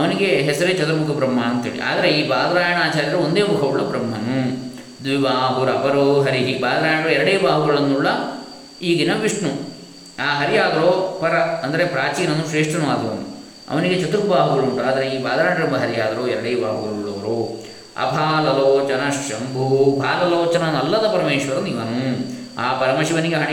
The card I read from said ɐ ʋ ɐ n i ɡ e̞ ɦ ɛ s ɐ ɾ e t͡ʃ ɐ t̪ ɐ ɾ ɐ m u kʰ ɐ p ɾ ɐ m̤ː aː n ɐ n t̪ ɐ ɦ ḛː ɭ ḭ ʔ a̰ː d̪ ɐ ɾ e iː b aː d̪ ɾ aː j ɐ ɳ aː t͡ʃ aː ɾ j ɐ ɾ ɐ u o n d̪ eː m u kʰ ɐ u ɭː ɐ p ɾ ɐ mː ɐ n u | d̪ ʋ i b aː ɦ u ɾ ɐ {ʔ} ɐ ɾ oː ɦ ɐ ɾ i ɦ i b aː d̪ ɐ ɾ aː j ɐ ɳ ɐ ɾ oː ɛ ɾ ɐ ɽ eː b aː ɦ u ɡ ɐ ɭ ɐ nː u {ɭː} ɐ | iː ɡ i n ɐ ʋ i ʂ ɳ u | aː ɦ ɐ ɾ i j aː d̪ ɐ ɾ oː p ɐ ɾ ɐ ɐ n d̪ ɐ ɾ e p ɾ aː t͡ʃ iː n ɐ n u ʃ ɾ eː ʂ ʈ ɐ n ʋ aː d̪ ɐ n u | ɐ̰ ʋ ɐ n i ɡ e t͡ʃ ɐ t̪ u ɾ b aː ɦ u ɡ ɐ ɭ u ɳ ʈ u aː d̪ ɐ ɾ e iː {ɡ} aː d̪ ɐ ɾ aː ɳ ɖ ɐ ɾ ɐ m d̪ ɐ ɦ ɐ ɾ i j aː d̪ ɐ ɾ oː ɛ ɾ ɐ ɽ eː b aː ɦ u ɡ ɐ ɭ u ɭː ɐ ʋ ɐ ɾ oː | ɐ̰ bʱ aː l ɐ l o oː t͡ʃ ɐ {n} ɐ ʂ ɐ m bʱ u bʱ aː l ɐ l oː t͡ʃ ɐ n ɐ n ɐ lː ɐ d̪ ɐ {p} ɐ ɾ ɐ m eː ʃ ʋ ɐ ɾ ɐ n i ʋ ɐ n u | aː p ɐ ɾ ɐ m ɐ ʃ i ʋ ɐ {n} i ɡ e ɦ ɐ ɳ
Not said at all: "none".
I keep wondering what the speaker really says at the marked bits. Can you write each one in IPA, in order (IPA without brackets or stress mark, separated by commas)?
p, ɭː, b, n, p, n